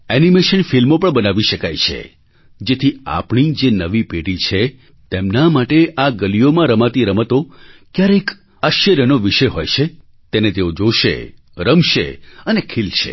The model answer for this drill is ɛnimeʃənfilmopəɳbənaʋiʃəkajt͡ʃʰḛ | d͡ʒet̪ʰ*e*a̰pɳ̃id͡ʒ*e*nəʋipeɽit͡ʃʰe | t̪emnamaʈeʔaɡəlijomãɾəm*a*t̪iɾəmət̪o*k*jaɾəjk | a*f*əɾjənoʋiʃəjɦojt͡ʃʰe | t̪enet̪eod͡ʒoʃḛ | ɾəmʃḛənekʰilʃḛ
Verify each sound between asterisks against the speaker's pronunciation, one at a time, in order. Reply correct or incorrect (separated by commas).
incorrect, correct, correct, correct, incorrect